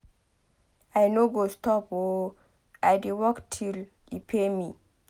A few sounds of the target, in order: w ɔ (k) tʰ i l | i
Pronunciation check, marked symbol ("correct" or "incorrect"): correct